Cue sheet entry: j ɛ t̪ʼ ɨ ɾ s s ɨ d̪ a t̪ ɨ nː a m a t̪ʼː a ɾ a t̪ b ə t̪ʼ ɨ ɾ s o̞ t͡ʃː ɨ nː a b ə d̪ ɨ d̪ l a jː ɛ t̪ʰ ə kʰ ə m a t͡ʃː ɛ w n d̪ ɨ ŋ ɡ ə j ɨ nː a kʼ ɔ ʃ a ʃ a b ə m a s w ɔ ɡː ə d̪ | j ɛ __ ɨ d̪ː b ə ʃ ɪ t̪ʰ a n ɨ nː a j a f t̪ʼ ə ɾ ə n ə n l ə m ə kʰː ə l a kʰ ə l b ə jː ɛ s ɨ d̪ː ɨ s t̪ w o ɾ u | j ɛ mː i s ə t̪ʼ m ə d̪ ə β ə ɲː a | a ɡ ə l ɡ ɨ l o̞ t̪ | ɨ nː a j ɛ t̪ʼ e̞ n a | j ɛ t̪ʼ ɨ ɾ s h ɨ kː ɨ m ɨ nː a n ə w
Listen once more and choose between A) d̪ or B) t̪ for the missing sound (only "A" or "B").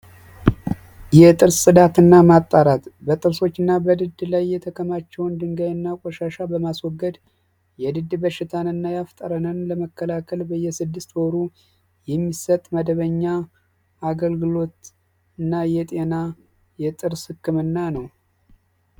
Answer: A